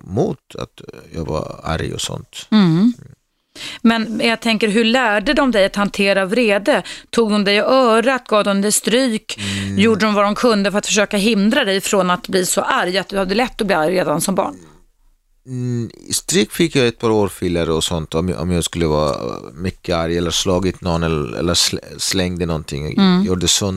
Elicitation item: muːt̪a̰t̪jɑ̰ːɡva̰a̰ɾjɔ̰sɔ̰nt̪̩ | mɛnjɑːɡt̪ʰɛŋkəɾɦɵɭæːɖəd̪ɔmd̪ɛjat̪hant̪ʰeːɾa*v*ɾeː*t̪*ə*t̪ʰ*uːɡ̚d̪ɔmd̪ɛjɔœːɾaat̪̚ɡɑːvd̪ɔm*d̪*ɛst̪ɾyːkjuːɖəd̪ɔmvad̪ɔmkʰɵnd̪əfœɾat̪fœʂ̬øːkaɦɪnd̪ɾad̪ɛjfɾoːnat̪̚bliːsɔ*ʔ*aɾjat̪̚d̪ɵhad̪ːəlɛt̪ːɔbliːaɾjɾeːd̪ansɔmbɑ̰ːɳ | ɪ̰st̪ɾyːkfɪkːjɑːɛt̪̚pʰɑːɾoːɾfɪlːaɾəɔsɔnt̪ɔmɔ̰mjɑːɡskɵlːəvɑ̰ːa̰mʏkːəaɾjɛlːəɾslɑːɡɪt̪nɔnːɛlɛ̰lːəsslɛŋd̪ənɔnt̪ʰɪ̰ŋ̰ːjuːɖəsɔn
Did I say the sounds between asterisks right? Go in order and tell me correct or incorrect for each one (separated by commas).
correct, incorrect, correct, correct, correct